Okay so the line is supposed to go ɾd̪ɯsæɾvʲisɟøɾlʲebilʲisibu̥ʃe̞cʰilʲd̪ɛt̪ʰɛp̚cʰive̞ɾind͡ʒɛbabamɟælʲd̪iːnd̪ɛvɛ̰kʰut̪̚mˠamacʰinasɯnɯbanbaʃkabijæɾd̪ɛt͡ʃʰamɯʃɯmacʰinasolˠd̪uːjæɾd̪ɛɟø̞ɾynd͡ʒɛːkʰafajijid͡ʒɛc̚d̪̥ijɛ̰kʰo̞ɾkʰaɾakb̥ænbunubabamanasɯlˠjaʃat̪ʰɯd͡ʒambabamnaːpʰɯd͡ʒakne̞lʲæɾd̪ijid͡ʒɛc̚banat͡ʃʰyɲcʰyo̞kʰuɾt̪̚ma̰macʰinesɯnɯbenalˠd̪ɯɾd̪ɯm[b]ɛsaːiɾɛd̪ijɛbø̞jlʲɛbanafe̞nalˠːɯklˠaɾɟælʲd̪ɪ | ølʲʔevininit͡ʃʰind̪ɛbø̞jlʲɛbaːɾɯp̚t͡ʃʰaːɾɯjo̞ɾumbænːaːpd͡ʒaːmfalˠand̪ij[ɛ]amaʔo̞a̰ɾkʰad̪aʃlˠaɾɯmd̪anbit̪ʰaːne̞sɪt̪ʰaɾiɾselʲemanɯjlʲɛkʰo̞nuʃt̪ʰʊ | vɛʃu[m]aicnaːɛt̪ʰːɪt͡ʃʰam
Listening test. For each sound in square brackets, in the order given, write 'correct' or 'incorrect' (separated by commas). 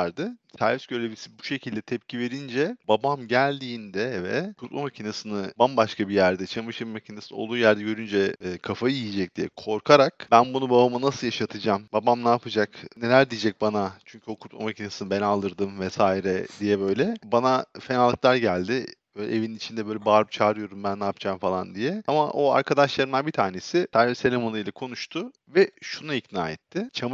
incorrect, correct, incorrect